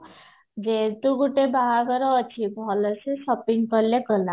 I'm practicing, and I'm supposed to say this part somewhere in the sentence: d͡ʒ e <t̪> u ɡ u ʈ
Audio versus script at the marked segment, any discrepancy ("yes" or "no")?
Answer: no